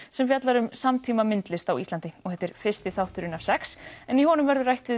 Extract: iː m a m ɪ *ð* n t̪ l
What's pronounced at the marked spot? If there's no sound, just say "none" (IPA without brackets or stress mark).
none